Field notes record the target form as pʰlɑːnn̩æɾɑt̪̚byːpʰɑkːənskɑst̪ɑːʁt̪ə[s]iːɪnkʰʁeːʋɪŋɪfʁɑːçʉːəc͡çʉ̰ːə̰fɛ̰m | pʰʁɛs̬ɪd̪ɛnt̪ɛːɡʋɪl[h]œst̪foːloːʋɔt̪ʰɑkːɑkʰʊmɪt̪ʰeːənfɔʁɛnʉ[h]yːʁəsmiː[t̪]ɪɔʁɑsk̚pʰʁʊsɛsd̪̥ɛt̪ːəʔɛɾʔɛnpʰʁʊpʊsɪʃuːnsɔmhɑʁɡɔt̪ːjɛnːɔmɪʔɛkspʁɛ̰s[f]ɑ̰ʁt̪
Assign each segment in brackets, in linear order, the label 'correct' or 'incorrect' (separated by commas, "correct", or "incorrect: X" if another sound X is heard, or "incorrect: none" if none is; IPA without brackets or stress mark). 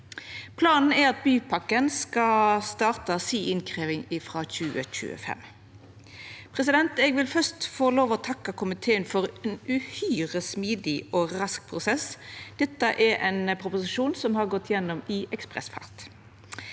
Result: correct, incorrect: f, correct, incorrect: d̪, correct